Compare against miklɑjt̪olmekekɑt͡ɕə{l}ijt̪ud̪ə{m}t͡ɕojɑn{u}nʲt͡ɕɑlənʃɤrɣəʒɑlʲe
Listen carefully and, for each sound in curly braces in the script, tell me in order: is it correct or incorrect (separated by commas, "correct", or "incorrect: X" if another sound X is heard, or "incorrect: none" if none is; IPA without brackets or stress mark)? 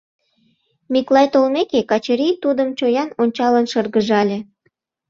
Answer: incorrect: ɾ, correct, incorrect: o